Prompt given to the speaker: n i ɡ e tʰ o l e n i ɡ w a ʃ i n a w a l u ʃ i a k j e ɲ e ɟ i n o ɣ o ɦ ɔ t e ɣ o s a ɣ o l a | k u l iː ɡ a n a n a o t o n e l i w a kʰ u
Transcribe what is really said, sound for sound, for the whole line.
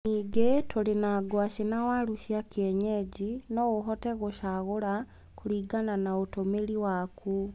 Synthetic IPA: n i ɡ e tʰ o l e n a ɡ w a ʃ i n a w a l u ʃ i a k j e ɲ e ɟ i n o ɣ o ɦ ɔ t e ɣ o ʃ a ɣ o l a | k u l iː ɡ a n a n a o t o m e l i w a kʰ u